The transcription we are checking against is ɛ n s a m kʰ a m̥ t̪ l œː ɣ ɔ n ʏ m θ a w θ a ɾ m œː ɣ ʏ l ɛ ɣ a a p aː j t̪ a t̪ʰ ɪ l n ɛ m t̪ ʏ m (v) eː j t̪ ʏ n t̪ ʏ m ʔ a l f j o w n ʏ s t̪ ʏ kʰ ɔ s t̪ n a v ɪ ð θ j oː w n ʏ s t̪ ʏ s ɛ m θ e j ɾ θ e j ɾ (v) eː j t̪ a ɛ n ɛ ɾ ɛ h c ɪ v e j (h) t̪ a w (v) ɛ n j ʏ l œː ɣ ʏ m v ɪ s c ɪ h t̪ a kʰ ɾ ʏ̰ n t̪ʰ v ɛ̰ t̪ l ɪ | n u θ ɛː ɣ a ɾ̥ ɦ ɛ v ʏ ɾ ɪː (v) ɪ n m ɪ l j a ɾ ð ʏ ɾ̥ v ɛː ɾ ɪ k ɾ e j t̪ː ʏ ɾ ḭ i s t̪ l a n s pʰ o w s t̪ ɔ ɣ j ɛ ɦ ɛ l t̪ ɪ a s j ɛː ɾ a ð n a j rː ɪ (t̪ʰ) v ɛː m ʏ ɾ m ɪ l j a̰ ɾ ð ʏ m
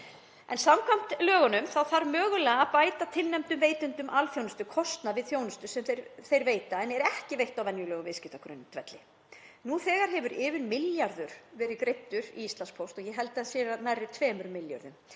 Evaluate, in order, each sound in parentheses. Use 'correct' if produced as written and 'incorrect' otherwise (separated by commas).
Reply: correct, correct, correct, correct, correct, correct